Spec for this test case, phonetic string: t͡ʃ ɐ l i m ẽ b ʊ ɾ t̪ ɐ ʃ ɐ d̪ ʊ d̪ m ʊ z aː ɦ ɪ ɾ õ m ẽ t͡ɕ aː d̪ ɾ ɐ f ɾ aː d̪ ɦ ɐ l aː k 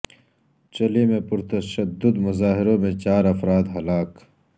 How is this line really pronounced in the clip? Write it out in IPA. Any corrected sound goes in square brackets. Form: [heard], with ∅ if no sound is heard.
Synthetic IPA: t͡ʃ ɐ l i m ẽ [p] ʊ ɾ t̪ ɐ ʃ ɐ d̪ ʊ d̪ m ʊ z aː ɦ ɪ ɾ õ m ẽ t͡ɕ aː [∅] ɾ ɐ f ɾ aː d̪ ɦ ɐ l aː k